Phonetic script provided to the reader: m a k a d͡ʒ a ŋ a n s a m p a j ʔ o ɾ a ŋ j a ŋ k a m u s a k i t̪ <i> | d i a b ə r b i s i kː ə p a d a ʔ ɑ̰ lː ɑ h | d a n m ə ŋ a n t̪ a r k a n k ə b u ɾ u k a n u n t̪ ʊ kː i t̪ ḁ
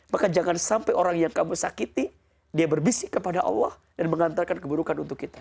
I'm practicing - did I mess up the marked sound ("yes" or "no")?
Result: no